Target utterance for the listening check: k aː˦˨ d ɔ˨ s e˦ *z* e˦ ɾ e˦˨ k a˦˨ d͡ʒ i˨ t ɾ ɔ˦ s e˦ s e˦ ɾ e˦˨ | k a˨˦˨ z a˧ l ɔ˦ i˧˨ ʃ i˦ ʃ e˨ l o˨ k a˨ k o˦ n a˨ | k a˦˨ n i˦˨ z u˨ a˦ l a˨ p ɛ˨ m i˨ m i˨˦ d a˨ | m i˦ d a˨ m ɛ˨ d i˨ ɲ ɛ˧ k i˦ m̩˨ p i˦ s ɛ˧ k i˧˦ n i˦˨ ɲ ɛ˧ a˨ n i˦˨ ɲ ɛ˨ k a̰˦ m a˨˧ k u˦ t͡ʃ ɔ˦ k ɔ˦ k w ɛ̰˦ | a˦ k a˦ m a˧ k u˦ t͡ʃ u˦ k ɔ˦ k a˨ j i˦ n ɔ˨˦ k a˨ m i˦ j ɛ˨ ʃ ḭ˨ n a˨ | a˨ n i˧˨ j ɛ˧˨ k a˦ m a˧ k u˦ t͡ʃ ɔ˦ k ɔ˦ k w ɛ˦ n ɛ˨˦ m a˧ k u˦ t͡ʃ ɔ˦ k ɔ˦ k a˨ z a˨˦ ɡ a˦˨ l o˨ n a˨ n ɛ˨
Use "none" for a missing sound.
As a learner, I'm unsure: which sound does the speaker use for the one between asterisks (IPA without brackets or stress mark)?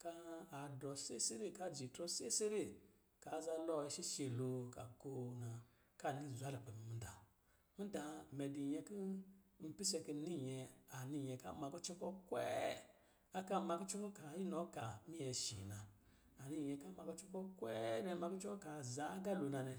s